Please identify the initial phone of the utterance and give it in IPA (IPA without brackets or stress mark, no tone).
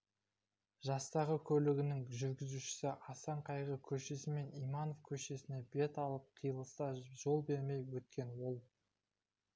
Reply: ʒ